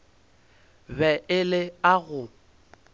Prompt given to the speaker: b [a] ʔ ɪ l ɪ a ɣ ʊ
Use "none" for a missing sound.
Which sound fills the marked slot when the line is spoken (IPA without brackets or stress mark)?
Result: ɛ